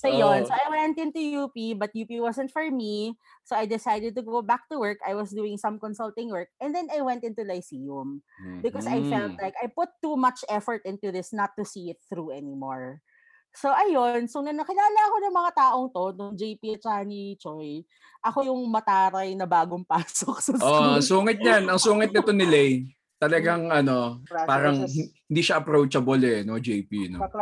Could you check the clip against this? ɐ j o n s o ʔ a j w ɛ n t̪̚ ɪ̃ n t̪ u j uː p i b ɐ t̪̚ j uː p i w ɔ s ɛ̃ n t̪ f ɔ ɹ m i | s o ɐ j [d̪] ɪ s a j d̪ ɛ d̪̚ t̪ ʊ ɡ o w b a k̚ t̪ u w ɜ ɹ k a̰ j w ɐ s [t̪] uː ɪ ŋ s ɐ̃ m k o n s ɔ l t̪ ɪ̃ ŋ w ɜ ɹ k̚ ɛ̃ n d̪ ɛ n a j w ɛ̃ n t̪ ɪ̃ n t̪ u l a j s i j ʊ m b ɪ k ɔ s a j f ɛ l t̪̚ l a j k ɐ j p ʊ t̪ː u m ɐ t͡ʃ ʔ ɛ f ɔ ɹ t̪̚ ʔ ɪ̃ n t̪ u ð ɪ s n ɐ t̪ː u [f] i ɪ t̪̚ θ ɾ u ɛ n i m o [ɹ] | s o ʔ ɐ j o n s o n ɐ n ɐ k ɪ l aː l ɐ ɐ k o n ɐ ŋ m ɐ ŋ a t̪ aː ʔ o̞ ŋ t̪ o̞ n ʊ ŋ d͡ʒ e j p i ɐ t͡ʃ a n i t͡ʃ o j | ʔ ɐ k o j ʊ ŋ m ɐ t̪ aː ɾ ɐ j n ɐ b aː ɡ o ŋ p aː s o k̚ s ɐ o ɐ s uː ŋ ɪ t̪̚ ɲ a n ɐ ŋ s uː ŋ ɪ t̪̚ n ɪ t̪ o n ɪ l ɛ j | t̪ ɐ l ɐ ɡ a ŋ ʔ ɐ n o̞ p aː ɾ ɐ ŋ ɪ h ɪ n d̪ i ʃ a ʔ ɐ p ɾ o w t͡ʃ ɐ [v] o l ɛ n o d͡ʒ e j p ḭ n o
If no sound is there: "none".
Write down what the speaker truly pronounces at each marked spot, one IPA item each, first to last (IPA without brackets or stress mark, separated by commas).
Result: d̪, d̪, s, ɹ, b